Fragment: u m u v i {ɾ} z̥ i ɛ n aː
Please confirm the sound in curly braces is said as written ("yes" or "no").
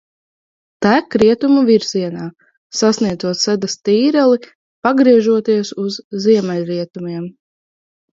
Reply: yes